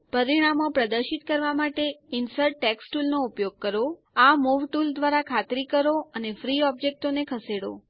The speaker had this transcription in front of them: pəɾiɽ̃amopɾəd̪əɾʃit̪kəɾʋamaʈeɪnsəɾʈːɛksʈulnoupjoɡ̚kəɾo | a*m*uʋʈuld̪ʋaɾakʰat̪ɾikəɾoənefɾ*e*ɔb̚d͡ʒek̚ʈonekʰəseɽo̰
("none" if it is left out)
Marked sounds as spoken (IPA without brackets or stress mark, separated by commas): m, i